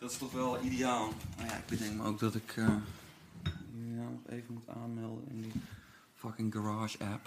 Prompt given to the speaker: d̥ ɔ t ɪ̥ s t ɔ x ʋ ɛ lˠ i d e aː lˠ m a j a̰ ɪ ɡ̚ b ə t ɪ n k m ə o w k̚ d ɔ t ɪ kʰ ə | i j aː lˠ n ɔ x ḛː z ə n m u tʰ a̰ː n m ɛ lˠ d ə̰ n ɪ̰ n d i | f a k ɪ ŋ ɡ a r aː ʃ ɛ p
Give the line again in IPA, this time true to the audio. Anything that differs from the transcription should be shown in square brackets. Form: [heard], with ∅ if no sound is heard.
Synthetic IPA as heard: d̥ ɔ t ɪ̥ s t ɔ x ʋ ɛ lˠ i d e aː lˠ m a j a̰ ɪ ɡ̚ b ə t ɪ [ŋ] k m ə o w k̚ d ɔ t ɪ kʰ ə | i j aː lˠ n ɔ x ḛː [v] ə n m u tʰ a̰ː n m ɛ lˠ d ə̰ n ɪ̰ n d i | f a k ɪ ŋ ɡ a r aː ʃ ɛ p